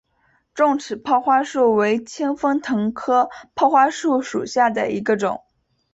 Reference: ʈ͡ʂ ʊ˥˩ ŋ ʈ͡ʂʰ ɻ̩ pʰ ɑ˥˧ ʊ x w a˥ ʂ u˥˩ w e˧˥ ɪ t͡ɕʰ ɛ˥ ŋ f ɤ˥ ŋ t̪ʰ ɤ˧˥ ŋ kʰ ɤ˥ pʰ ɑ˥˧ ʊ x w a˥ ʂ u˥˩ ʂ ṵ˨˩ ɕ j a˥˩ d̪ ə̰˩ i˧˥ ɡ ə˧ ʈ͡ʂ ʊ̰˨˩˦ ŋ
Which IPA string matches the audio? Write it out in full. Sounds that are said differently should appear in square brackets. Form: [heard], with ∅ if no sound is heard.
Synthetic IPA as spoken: ʈ͡ʂ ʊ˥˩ ŋ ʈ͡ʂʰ ɻ̩ pʰ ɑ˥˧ ʊ x w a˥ ʂ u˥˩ w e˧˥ ɪ t͡ɕʰ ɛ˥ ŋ f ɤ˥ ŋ t̪ʰ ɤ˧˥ ŋ kʰ ɤ˥ pʰ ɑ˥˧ ʊ x w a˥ ʂ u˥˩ ʂ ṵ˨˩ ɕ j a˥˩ d̪ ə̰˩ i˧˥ ɡ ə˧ ʈ͡ʂ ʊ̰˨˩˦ ŋ